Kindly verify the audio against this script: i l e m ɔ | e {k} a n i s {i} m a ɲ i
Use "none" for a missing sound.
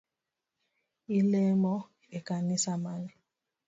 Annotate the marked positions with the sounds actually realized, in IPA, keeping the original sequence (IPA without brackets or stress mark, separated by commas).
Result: k, a